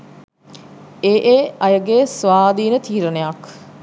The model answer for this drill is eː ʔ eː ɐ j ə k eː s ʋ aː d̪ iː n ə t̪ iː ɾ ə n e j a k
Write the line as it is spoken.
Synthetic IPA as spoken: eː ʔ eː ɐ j ə ɡ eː s ʋ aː d̪ iː n ə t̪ iː ɾ ə n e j a k